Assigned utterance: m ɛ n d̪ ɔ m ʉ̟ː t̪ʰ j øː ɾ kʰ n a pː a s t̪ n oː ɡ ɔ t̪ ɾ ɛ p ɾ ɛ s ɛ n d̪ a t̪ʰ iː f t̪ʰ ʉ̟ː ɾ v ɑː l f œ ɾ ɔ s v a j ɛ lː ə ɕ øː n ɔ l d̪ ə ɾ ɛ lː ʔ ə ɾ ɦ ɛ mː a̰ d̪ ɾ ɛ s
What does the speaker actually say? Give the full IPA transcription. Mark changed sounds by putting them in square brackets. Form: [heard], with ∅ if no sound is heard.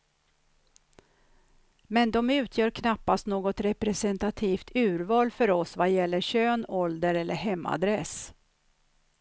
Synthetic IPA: m ɛ n d̪ ɔ m ʉ̟ː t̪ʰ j [œː] ɾ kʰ n a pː a s t̪ n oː ɡ ɔ t̪ ɾ ɛ p ɾ ɛ s ɛ n [t̪] a t̪ʰ iː f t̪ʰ ʉ̟ː ɾ v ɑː l f œ ɾ ɔ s v a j ɛ lː ə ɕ øː n ɔ l d̪ ə ɾ ɛ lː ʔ ə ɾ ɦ ɛ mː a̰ d̪ ɾ ɛ s